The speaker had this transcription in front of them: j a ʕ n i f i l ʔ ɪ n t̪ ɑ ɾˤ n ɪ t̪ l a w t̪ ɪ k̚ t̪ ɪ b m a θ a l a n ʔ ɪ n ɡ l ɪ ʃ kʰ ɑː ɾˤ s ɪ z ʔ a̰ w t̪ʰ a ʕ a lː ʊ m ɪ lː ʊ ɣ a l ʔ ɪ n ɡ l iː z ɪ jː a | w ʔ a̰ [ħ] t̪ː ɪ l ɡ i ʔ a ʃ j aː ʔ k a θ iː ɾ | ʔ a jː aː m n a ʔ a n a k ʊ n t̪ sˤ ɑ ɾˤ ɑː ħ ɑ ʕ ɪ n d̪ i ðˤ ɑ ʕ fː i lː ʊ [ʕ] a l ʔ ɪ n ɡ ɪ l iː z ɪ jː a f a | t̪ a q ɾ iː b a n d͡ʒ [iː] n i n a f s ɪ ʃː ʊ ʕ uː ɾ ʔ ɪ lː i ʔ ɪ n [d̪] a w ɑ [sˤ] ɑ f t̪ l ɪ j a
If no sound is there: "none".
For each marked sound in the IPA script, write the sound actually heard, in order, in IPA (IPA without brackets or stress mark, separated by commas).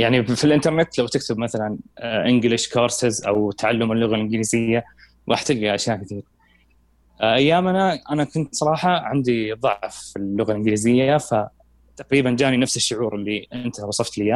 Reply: ħ, ɣ, aː, t̪, sˤ